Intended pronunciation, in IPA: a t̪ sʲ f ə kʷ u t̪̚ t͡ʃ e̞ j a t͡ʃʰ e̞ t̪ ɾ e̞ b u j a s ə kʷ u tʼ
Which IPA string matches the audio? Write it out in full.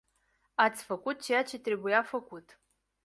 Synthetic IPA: a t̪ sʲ f ə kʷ u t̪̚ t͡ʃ e̞ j a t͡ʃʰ e̞ t̪ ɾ e̞ b u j a f ə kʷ u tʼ

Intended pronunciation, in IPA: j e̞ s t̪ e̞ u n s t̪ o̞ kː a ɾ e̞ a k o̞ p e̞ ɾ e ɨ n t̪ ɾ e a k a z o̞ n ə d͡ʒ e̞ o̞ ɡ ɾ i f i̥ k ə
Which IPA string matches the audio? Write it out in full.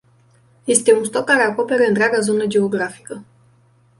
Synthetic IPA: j e̞ s t̪ e̞ u n s t̪ o̞ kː a ɾ e̞ a k o̞ p e̞ ɾ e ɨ n t̪ ɾ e a ɡ a z o̞ n ə d͡ʒ e̞ o̞ ɡ ɾ a f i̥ k ə

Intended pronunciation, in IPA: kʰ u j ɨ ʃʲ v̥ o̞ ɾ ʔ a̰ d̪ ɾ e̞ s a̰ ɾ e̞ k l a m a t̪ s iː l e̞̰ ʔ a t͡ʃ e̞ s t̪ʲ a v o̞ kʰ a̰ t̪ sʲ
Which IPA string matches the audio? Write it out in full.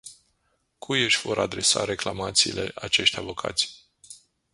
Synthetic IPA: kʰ u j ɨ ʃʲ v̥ o̞ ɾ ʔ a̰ d̪ ɾ e̞ s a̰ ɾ e̞ k l a m a t̪ s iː l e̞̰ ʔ a t͡ʃ e̞ ʃ t̪ʲ a v o̞ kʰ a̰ t̪ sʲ

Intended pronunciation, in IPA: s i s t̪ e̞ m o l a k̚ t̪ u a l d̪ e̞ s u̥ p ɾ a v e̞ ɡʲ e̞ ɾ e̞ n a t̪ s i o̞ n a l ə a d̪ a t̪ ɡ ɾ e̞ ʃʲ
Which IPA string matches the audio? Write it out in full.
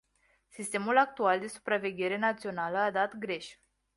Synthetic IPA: s i s t̪ e̞ m u l a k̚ t̪ u a l d̪ e̞ s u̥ p ɾ a v e̞ ɡʲ e̞ ɾ e̞ n a t̪ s i o̞ n a l ə a d̪ a t̪ ɡ ɾ e̞ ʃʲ

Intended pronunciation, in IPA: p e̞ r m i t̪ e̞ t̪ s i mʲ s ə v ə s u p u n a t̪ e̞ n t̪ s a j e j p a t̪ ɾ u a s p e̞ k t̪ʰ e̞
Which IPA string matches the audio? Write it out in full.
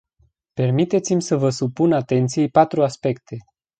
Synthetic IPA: p e̞ r m i t̪ e̞ t̪ s i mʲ s ə v ə s u p u n a t̪ e̞ n t̪ s i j e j p a t̪ ɾ u a s p e̞ k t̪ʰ e̞

